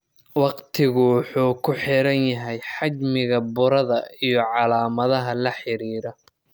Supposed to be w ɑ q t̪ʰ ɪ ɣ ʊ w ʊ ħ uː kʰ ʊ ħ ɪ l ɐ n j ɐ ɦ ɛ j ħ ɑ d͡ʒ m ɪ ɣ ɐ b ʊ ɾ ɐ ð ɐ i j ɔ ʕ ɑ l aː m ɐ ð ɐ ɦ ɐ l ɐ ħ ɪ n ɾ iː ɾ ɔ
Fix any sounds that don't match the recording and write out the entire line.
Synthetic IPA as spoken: w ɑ q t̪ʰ ɪ ɣ ʊ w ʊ ħ uː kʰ ʊ ħ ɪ ɾ ɐ n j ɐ ɦ ɛ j ħ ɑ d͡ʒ m ɪ ɣ ɐ b ʊ ɾ ɐ ð ɐ i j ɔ ʕ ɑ l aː m ɐ ð ɐ ɦ ɐ l ɐ ħ ɪ ɾ iː ɾ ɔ

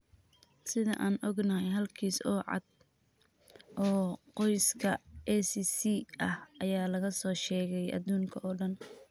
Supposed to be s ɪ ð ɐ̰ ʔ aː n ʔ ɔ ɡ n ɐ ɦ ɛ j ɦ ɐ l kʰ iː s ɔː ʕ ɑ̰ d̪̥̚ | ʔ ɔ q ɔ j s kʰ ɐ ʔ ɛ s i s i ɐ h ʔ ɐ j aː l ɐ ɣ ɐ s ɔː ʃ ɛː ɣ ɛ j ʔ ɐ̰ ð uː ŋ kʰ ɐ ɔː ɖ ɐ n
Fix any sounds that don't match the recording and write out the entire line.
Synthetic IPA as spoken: s ɪ ð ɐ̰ ʔ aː n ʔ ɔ ɡ n ɐ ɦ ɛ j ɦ ɐ l kʰ iː s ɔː ʕ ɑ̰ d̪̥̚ | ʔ ɔː q ɔ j s kʰ ɐ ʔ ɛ s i s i ɐ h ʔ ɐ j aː l ɐ ɣ ɐ s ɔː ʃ ɛː ɣ ɛ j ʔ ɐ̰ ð uː ŋ kʰ ɐ ɔː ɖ ɐ n

